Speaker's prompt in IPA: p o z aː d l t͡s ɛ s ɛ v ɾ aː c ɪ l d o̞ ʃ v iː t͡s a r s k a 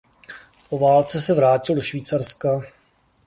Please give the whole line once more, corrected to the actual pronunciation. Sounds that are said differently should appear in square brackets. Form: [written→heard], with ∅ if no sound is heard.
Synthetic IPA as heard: p o [z→v] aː [d→∅] l t͡s ɛ s ɛ v ɾ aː c ɪ l d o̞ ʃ v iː t͡s a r s k a